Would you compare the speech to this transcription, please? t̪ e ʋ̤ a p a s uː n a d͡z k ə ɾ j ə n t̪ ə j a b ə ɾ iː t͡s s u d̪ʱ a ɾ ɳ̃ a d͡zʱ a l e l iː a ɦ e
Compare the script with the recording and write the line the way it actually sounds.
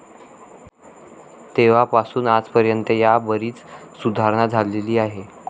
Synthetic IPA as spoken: t̪ e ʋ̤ a p a s uː n a d͡z p ə ɾ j ə n t̪ ə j a b ə ɾ iː t͡s s u d̪ʱ a ɾ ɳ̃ a d͡zʱ a l e l iː a ɦ e